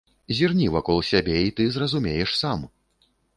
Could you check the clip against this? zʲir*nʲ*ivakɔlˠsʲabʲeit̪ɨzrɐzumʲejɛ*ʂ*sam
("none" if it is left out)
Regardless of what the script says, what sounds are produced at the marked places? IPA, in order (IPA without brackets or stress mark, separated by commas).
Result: nʲ, ʂ